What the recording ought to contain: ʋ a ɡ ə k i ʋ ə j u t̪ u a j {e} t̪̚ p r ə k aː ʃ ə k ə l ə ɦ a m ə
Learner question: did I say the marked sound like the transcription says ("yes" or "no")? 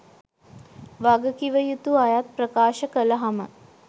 no